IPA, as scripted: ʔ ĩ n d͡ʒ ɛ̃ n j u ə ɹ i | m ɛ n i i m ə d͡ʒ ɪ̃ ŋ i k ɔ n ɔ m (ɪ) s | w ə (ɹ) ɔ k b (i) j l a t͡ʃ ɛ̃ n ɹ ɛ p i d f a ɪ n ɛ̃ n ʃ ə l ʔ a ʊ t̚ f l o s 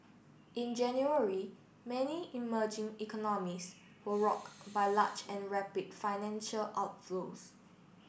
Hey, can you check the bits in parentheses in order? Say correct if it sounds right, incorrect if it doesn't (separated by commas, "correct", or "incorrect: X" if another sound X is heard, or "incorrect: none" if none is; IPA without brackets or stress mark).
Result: incorrect: i, correct, incorrect: a